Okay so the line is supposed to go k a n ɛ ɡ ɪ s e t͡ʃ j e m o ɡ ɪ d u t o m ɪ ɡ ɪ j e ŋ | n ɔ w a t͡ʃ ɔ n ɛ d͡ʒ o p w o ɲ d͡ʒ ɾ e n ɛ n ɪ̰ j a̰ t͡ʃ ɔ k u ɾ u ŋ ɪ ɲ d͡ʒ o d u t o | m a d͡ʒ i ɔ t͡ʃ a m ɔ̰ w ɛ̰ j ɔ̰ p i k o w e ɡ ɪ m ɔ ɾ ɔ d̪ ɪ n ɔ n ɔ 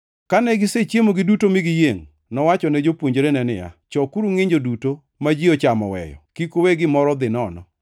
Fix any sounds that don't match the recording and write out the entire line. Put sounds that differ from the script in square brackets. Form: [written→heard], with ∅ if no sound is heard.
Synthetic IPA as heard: k a n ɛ ɡ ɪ s e t͡ʃ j e m o ɡ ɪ d u t o m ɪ ɡ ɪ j e ŋ | n ɔ w a t͡ʃ ɔ n ɛ d͡ʒ o p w o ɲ d͡ʒ ɾ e n ɛ n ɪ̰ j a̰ t͡ʃ ɔ k u ɾ u ŋ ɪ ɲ d͡ʒ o d u t o | m a d͡ʒ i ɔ t͡ʃ a m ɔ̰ w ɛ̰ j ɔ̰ [p→k] i k o w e ɡ ɪ m ɔ ɾ ɔ d̪ ɪ n ɔ n ɔ